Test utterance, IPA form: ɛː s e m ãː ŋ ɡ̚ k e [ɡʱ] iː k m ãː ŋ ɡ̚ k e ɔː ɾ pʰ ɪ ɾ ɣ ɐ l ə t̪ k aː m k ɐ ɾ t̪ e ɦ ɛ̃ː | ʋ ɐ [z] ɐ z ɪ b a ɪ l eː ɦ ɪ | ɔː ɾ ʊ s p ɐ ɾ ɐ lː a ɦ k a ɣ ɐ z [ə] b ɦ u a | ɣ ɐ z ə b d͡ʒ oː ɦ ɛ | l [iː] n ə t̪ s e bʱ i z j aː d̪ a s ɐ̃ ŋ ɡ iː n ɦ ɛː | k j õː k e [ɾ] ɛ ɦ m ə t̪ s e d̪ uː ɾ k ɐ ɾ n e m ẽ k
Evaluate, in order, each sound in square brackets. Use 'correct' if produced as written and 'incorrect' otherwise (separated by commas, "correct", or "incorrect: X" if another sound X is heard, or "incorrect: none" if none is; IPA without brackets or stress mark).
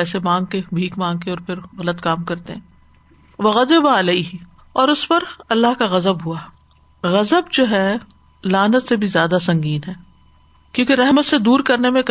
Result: incorrect: bʱ, incorrect: ɣ, correct, incorrect: aː, correct